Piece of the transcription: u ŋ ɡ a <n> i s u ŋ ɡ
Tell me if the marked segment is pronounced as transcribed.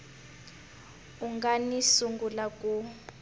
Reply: yes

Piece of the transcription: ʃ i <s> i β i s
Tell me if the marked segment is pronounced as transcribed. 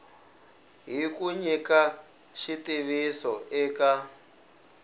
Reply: no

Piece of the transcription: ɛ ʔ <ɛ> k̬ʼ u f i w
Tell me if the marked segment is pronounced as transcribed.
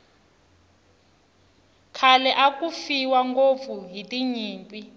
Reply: no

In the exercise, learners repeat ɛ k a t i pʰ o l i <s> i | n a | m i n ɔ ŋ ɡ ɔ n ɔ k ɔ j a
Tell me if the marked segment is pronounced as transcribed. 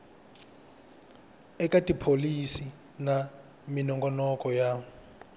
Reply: yes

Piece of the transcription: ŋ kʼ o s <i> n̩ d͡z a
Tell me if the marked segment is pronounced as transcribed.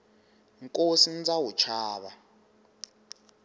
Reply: yes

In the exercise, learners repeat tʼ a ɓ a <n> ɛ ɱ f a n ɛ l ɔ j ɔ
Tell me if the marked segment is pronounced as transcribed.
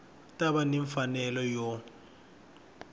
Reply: yes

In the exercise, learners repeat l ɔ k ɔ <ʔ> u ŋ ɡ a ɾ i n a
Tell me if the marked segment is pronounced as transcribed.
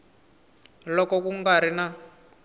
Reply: no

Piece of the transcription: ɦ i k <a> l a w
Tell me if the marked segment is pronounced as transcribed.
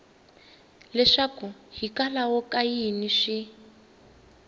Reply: yes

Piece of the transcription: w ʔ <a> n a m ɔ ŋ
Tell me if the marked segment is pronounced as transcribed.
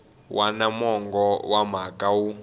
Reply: yes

